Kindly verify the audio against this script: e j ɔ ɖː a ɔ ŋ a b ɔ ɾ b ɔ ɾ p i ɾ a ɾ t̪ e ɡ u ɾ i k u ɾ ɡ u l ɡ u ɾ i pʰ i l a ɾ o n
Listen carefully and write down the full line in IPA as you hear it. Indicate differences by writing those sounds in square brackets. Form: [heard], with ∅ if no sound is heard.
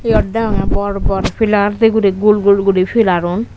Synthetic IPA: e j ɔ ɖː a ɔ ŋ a b ɔ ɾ b ɔ ɾ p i [l] a ɾ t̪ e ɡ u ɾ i [ɡ] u [l] ɡ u l ɡ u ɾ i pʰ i l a ɾ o n